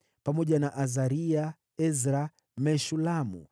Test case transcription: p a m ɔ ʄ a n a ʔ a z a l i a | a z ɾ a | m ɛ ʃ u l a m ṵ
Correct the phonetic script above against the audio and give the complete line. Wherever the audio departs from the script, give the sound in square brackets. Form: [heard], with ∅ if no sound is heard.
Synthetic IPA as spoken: p a m ɔ ʄ a n a ʔ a z a [ɾ] i a | [ɛ] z ɾ a | m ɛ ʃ u l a m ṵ